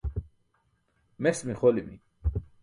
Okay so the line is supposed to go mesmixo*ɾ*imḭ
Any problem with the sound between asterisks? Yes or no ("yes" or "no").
yes